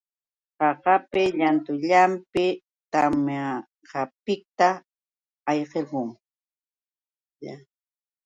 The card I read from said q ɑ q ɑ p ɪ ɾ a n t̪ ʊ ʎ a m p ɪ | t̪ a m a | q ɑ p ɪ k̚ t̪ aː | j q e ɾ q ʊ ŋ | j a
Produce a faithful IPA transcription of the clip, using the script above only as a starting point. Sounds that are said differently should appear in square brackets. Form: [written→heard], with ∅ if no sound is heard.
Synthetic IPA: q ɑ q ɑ p ɪ [ɾ→ʎ] a n t̪ ʊ ʎ a m p ɪ | t̪ a m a | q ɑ p ɪ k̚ t̪ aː | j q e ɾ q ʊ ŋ | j a